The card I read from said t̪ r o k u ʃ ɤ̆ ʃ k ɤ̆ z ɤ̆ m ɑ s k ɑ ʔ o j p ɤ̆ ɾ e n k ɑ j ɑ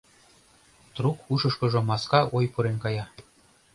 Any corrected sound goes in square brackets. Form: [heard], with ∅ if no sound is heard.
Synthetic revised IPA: t̪ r [u] k u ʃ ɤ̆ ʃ k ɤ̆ [ʒ] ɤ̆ m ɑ s k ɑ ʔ o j p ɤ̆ ɾ e n k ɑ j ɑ